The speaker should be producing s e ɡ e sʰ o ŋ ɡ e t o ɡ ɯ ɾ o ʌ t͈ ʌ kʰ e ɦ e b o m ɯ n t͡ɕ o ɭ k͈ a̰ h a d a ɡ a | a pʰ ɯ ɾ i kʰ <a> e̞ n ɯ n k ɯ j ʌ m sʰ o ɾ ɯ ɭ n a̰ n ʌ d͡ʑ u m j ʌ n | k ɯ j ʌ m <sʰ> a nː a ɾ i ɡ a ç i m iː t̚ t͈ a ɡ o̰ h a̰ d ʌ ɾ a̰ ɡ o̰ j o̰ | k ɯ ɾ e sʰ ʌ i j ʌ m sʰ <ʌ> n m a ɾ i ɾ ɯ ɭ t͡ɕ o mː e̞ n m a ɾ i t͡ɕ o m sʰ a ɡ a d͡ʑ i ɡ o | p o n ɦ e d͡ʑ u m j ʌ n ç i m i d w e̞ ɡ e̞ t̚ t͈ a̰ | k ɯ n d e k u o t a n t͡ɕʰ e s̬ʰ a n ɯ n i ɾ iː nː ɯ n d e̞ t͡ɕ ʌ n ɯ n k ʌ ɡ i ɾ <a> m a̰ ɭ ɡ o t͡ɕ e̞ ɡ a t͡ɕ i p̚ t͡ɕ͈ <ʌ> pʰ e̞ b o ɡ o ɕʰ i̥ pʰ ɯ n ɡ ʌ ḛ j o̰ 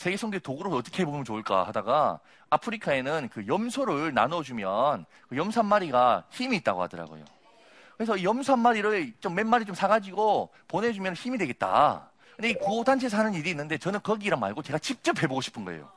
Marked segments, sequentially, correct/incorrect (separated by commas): correct, correct, incorrect, correct, correct